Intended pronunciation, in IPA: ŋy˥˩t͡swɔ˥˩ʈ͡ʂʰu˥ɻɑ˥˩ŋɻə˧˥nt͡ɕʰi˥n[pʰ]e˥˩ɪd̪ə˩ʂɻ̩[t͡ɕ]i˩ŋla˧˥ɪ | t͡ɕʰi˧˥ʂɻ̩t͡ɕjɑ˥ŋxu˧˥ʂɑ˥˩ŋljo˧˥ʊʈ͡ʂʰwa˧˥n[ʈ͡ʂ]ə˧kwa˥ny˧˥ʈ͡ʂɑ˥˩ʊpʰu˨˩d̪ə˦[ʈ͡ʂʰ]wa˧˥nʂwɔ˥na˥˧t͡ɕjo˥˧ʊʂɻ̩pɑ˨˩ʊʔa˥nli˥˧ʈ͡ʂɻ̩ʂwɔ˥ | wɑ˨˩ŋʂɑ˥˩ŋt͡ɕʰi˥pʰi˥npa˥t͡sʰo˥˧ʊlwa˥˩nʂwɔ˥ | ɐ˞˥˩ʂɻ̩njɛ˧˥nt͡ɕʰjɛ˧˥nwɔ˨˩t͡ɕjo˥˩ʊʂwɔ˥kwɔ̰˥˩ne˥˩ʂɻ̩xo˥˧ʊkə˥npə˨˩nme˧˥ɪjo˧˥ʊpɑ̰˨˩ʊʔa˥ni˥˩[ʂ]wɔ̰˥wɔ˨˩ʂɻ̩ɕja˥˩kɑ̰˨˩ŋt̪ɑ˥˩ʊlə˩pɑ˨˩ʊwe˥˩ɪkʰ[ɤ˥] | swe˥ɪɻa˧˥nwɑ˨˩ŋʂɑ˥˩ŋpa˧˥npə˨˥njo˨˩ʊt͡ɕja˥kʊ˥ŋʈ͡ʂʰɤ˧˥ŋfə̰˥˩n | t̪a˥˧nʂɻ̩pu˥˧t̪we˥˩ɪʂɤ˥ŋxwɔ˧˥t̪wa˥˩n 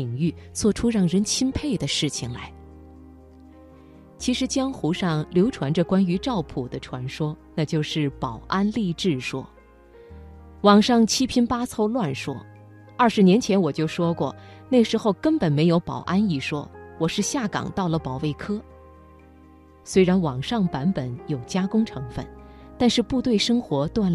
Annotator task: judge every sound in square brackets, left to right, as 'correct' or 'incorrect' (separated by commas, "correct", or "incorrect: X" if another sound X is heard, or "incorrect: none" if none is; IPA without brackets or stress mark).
correct, incorrect: t͡ɕʰ, correct, correct, correct, correct